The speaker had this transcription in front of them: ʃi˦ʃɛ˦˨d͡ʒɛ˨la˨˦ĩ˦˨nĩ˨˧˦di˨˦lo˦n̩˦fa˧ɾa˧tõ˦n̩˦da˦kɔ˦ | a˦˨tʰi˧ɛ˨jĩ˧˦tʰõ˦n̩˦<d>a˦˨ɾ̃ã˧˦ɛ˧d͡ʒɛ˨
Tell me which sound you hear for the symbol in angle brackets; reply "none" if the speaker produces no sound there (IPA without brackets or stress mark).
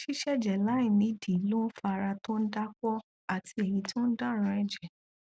d